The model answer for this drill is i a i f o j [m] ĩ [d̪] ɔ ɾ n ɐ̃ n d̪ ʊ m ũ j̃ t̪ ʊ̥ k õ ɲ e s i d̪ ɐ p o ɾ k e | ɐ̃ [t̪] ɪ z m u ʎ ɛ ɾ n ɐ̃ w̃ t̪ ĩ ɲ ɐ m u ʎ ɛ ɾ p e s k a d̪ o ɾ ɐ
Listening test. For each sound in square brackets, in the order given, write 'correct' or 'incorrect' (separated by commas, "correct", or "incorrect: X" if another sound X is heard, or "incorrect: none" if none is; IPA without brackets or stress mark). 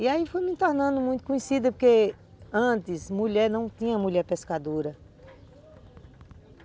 correct, incorrect: t̪, correct